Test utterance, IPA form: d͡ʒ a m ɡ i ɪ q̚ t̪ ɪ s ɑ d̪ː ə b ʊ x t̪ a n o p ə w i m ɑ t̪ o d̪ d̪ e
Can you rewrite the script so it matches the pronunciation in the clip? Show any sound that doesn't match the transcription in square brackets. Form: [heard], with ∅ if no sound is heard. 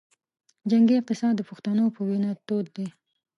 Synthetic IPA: d͡ʒ a [ŋ] ɡ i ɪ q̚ t̪ ɪ s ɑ d̪ː ə [p] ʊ x t̪ a n o p ə w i [n] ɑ t̪ o d̪ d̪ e